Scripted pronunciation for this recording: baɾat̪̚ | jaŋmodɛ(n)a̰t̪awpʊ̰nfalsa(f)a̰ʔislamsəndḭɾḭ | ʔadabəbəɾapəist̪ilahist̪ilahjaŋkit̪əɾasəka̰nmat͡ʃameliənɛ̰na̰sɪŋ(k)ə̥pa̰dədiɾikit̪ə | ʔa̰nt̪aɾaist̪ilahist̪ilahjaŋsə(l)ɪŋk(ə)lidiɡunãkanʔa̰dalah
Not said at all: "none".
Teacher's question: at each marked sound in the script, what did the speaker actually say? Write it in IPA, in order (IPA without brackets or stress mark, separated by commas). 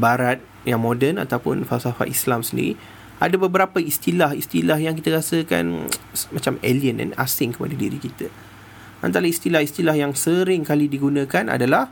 n, f, k, ɾ, a